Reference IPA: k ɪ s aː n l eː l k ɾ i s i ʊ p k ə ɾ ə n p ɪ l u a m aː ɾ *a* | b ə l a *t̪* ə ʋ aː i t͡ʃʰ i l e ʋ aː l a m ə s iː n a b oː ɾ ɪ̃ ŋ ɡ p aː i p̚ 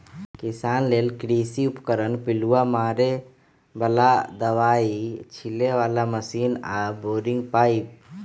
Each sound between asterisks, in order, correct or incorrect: incorrect: e, incorrect: d̪

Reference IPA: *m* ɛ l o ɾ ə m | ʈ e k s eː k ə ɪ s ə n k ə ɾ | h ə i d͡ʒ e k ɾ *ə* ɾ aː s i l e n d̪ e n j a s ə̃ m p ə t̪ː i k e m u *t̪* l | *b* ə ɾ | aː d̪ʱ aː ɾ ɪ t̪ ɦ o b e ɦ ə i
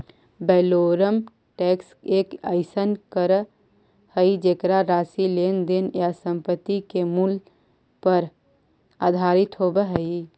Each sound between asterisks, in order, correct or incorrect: incorrect: b, incorrect: a, incorrect: none, incorrect: p

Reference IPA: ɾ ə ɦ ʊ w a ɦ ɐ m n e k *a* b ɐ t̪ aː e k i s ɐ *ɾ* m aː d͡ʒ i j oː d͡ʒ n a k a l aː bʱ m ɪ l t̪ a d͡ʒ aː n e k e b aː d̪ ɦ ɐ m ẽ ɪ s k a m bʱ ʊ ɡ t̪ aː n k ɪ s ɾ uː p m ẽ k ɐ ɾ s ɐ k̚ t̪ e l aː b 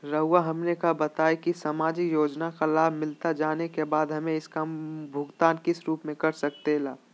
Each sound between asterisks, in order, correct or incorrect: correct, incorrect: none

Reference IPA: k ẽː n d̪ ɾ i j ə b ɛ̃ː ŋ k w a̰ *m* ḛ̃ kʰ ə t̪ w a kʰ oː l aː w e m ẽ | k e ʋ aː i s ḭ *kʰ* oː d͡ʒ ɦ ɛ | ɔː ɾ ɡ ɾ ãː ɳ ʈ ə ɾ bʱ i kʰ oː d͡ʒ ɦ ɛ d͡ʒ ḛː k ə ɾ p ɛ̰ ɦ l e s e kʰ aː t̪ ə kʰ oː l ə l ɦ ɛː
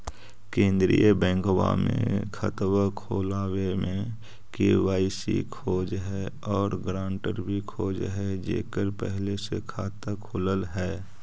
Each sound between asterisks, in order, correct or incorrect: correct, correct

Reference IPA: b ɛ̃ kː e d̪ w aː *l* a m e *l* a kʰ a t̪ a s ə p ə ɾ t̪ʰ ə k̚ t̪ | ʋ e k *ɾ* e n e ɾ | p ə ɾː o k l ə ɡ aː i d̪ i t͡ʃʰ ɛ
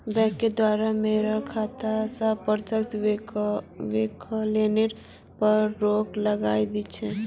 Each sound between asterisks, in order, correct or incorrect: incorrect: ɾ, incorrect: ɾ, incorrect: l

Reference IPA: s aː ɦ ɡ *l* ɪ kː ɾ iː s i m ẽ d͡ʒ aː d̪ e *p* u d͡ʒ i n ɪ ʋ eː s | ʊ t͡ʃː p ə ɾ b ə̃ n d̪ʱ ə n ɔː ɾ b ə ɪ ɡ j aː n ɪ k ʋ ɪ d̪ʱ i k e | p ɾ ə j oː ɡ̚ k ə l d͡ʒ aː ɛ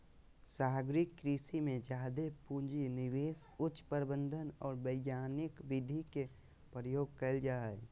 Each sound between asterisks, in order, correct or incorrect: incorrect: ɾ, correct

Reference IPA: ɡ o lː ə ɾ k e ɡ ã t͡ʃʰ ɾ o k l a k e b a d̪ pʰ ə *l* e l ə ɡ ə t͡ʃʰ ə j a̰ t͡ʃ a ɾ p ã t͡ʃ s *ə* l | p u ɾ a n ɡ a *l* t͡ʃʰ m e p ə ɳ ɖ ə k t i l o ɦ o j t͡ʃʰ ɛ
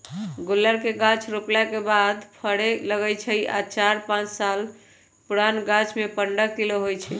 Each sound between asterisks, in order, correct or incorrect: incorrect: ɽ, incorrect: a, incorrect: none

